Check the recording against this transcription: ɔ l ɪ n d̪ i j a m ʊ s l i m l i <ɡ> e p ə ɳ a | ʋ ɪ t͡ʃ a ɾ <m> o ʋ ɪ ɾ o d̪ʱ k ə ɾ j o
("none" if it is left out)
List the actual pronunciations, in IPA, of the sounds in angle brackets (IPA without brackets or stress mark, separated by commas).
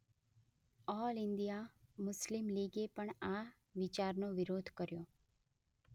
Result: ɡ, n